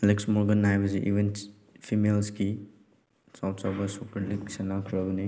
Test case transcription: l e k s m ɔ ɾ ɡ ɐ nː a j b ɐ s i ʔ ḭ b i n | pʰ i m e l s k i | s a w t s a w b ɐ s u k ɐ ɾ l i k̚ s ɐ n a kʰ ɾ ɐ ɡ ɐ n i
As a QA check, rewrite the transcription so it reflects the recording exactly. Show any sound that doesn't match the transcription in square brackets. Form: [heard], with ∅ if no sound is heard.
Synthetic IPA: l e k s m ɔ ɾ ɡ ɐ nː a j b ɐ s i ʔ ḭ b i n | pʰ i m e l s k i | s a w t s a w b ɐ s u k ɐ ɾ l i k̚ s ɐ n a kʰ ɾ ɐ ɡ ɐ n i